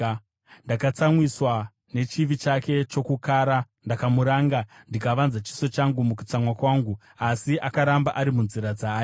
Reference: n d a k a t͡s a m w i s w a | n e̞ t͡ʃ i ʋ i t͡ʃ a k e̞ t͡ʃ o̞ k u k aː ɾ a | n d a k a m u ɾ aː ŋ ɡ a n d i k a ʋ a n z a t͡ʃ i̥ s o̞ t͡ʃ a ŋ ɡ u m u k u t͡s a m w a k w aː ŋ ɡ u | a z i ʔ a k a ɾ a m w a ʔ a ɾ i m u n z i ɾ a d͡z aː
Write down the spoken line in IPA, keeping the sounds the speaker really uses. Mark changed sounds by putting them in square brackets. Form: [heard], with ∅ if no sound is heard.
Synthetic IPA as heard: n d a k a t͡s a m w i s w a | n e̞ t͡ʃ i ʋ i t͡ʃ a k e̞ t͡ʃ o̞ k u k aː ɾ a | n d a k a m u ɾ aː ŋ ɡ a n d i k a ʋ a n z a t͡ʃ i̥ s o̞ t͡ʃ a ŋ ɡ u m u k u t͡s a m w a k w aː ŋ ɡ u | a [s] i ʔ a k a ɾ a m [b] a ʔ a ɾ i m u n z i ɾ a d͡z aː